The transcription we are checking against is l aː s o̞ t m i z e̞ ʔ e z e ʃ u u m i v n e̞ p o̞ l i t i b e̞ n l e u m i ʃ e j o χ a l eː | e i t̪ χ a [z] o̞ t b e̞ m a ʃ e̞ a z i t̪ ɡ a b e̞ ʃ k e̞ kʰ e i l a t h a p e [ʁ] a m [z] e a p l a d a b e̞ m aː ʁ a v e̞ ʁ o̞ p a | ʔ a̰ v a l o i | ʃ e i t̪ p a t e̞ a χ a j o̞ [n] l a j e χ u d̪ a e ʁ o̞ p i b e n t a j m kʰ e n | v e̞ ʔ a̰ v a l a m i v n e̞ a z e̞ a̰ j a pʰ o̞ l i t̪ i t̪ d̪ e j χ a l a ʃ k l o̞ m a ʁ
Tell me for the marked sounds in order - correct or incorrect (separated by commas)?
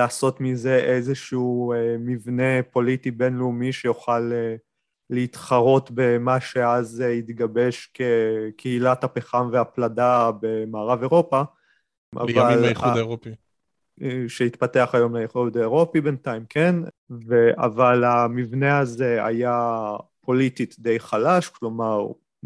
incorrect, incorrect, incorrect, incorrect